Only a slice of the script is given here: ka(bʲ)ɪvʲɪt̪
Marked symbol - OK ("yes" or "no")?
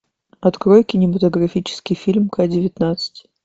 no